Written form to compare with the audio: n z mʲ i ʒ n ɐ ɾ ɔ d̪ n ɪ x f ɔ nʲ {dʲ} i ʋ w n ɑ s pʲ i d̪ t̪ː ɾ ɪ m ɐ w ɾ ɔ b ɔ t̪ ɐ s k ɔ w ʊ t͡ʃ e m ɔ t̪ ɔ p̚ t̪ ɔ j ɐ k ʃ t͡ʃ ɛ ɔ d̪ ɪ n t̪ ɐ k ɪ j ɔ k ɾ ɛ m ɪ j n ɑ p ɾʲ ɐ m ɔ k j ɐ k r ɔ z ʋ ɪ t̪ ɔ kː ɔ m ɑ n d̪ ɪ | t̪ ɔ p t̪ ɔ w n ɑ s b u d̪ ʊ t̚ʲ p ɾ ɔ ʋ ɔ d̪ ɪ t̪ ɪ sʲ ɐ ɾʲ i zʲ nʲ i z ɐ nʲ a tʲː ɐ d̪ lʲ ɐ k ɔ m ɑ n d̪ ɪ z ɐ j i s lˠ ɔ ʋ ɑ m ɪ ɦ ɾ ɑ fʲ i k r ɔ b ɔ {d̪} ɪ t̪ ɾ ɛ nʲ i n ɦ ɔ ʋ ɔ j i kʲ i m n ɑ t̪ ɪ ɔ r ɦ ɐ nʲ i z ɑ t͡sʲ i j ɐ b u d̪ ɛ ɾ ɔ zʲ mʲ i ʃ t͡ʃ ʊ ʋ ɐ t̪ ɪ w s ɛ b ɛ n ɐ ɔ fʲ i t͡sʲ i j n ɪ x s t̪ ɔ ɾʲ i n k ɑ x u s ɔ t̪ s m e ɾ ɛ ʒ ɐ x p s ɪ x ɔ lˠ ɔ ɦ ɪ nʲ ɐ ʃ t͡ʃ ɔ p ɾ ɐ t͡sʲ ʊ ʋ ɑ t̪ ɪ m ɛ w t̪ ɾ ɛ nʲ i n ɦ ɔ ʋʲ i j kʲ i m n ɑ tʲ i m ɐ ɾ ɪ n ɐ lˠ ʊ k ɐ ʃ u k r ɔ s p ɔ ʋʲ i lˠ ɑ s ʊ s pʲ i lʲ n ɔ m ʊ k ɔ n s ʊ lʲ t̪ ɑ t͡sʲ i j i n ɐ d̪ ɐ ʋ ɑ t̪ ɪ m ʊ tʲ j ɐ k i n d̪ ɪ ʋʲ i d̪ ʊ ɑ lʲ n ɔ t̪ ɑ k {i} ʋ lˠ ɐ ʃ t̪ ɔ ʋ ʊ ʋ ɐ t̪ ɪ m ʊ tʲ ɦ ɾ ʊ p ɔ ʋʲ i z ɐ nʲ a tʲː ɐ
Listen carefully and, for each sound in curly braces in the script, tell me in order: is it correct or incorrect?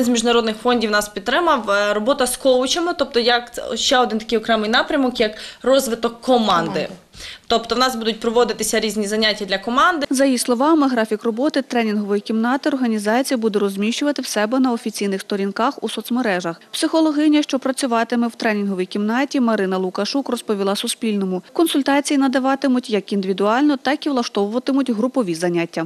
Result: correct, incorrect: t̪, correct

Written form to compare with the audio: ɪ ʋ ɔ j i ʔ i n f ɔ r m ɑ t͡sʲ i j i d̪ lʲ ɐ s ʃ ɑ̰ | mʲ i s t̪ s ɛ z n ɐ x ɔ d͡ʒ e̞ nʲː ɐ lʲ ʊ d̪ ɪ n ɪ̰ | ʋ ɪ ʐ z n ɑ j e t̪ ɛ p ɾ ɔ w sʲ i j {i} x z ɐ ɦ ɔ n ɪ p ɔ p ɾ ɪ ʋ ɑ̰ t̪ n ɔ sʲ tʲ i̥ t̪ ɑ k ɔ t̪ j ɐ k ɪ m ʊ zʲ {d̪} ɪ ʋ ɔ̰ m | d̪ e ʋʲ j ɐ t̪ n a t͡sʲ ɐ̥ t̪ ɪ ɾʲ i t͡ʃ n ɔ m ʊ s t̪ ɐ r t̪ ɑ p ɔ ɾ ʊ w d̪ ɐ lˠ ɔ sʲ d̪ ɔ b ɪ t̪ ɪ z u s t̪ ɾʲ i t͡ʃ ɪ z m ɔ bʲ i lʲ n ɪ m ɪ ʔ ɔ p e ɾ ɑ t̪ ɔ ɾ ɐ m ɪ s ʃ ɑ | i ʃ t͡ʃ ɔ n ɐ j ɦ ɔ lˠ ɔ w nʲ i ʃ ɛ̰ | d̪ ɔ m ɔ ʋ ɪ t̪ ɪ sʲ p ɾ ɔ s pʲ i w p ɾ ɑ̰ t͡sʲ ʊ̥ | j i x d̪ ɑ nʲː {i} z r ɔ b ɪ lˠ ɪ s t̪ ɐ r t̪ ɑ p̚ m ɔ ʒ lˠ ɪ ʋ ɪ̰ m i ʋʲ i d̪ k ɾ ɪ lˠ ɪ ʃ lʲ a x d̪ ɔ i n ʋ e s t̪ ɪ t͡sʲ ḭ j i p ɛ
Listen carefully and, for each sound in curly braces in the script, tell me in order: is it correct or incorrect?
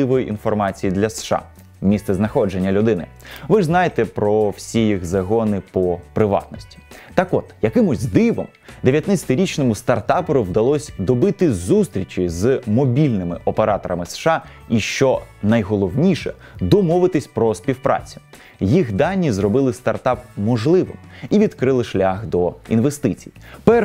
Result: correct, correct, correct

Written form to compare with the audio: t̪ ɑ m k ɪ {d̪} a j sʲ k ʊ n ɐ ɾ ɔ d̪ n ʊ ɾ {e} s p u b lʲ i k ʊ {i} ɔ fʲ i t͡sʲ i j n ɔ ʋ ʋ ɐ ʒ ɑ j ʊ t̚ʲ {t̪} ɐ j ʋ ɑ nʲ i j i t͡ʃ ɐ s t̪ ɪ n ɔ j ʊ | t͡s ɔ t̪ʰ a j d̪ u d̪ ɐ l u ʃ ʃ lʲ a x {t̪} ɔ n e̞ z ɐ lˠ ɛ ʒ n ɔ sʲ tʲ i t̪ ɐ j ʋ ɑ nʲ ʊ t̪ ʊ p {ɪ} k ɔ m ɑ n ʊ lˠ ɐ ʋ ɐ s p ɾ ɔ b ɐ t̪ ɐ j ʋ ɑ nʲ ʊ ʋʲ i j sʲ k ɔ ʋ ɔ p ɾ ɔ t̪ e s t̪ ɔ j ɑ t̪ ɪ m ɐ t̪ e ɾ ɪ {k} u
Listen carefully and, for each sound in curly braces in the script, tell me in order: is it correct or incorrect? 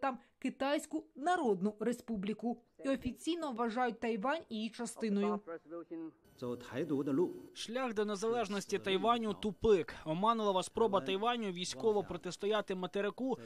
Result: incorrect: t̪, correct, correct, correct, incorrect: d̪, correct, correct

